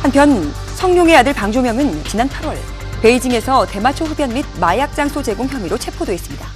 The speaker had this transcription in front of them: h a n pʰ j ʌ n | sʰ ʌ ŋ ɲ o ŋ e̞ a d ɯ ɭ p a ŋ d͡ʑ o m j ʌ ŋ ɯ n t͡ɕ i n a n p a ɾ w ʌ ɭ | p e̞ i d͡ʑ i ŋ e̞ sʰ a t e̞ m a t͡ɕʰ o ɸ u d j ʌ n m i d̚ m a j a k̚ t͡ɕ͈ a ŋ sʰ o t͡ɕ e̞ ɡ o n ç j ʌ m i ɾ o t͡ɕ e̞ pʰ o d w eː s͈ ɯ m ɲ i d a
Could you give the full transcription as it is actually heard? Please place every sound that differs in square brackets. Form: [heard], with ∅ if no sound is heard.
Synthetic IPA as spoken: h a n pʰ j ʌ n | sʰ ʌ ŋ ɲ o ŋ e̞ a d ɯ ɭ p a ŋ d͡ʑ o m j ʌ ŋ ɯ n t͡ɕ i n a n [pʰ] a ɾ w ʌ ɭ | p e̞ i d͡ʑ i ŋ e̞ sʰ [ʌ] t e̞ m a t͡ɕʰ o ɸ u d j ʌ n m i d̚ m a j a k̚ t͡ɕ͈ a ŋ sʰ o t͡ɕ e̞ ɡ o [ŋ] ç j ʌ m i ɾ o [t͡ɕʰ] e̞ pʰ o d w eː s͈ ɯ m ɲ i d a